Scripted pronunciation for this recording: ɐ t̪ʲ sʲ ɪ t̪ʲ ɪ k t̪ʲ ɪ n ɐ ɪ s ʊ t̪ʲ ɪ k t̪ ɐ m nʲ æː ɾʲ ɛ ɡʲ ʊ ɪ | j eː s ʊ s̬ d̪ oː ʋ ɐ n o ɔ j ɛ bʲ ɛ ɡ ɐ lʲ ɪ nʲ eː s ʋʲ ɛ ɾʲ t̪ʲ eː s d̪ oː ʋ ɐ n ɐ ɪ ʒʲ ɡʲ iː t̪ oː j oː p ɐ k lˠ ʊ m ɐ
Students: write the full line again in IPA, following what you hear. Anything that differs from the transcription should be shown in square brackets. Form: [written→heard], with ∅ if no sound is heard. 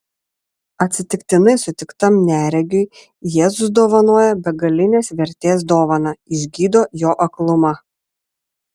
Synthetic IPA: ɐ t̪ʲ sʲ ɪ t̪ʲ ɪ k t̪ʲ ɪ n ɐ ɪ s ʊ t̪ʲ ɪ k t̪ ɐ m nʲ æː ɾʲ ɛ ɡʲ ʊ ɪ | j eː [s→z] ʊ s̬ d̪ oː ʋ ɐ n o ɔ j ɛ bʲ ɛ ɡ ɐ lʲ ɪ nʲ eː s ʋʲ ɛ ɾʲ t̪ʲ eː s d̪ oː ʋ ɐ n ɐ ɪ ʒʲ ɡʲ iː [t̪→d̪] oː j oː [p→ʔ] ɐ k lˠ ʊ m ɐ